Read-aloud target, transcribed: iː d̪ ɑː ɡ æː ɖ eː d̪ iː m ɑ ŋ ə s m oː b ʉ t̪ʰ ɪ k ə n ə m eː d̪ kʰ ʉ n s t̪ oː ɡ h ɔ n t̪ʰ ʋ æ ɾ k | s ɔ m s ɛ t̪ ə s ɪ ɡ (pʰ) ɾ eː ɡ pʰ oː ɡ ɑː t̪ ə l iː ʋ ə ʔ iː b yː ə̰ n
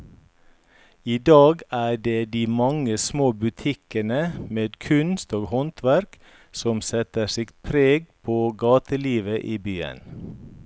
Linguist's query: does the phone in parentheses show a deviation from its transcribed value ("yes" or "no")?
no